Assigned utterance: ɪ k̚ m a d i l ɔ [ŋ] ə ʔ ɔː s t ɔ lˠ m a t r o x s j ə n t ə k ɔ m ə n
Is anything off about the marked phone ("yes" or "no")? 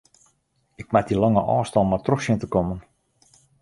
no